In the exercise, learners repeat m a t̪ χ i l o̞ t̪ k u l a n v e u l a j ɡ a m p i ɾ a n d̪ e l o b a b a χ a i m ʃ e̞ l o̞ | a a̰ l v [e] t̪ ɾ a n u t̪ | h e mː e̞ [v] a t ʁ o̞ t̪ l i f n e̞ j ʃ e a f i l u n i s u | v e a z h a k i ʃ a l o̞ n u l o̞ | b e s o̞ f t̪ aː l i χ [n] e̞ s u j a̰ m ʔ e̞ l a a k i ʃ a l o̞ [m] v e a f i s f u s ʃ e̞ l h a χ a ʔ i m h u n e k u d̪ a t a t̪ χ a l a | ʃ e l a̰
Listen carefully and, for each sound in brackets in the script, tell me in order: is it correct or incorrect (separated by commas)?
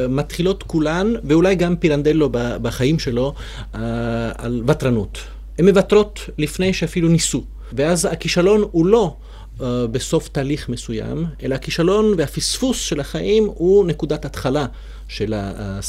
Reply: incorrect, correct, incorrect, incorrect